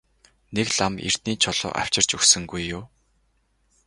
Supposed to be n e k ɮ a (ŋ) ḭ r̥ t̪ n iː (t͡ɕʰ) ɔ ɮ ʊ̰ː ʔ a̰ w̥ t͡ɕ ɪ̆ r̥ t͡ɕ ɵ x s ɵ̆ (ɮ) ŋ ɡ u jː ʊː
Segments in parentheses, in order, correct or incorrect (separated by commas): incorrect, correct, incorrect